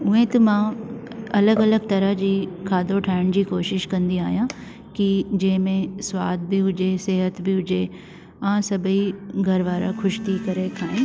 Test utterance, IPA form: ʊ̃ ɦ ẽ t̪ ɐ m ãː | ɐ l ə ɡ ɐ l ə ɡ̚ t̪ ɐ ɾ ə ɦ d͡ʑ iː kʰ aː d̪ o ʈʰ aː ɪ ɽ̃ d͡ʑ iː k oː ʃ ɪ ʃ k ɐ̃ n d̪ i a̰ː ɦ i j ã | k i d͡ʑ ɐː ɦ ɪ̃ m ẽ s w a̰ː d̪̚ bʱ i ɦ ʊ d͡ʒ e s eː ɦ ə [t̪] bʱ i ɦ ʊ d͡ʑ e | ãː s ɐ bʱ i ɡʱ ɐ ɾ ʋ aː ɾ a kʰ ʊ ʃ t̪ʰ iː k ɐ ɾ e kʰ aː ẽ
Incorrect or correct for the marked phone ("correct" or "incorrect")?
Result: correct